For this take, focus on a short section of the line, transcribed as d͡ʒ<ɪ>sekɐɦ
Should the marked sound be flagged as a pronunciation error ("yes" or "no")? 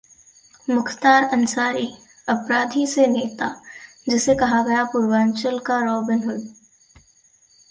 no